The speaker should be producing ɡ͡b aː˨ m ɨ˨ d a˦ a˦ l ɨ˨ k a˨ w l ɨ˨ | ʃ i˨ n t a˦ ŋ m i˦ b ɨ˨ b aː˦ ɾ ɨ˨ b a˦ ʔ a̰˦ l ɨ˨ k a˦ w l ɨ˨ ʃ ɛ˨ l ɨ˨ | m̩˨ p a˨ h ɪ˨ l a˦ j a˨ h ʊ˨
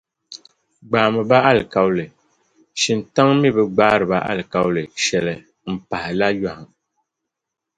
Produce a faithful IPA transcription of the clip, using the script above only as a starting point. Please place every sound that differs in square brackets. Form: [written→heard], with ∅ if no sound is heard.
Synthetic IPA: ɡ͡b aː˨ m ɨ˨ [d→b] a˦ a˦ l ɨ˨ k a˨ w l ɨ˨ | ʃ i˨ n t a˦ ŋ m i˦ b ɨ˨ [b→ɡ͡b] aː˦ ɾ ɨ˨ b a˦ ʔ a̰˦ l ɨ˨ k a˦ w l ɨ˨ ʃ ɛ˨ l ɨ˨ | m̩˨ p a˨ h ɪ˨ l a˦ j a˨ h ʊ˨